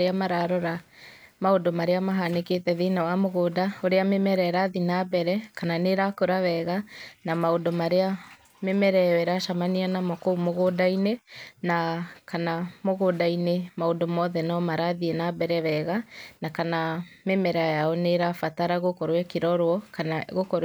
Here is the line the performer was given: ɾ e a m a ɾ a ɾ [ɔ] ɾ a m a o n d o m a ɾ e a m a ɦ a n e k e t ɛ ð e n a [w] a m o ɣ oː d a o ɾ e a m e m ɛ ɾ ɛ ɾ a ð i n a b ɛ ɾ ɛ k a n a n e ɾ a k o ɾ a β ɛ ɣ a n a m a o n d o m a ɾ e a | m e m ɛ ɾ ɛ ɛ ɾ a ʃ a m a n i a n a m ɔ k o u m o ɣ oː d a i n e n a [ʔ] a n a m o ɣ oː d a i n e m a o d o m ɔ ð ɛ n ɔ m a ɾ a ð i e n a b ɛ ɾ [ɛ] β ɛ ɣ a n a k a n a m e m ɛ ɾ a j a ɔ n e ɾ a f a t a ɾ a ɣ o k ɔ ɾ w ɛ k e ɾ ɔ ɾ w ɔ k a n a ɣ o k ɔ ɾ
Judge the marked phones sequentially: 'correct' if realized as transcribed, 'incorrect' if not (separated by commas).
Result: correct, correct, incorrect, correct